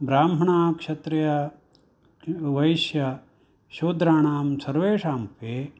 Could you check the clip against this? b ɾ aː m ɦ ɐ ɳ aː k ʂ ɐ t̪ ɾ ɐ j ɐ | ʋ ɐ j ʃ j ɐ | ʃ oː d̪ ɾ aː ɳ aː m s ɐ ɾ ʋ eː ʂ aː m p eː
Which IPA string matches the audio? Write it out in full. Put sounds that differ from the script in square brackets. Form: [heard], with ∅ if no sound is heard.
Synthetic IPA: b ɾ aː m ɦ ɐ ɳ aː k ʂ ɐ t̪ ɾ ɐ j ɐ | ʋ ɐ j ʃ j ɐ | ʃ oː d̪ ɾ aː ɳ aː m s ɐ ɾ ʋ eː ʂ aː m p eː